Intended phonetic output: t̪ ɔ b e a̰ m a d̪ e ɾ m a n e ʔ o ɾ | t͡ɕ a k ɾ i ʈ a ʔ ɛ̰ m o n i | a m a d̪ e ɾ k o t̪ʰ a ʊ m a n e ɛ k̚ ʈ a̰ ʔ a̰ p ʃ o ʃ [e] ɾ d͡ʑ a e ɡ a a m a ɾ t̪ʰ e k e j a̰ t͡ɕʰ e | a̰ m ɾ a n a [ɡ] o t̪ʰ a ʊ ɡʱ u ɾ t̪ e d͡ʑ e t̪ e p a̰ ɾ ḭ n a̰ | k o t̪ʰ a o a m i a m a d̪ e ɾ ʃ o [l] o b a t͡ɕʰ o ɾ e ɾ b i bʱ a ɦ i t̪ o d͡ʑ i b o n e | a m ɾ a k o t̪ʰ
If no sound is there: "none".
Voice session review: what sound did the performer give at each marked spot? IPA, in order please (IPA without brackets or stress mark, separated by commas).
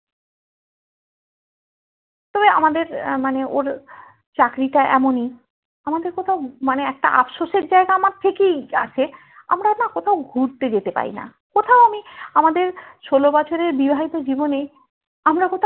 e, k, l